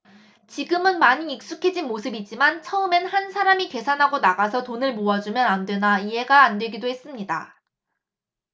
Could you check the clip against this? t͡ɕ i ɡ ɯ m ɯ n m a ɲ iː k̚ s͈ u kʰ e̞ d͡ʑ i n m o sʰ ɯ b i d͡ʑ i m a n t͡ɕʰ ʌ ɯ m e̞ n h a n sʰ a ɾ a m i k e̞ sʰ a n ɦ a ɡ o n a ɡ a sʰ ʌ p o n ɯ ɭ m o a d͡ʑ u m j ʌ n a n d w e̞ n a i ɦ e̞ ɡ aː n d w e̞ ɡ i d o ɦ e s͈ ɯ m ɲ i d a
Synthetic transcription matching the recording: t͡ɕ i ɡ ɯ m ɯ n m a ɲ iː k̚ s͈ u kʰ e̞ d͡ʑ i n m o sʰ ɯ b i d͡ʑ i m a n t͡ɕʰ ʌ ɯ m e̞ n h a n sʰ a ɾ a m i k e̞ sʰ a n ɦ a ɡ o n a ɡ a sʰ ʌ t o n ɯ ɭ m o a d͡ʑ u m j ʌ n a n d w e̞ n a i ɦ e̞ ɡ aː n d w e̞ ɡ i d o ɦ e s͈ ɯ m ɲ i d a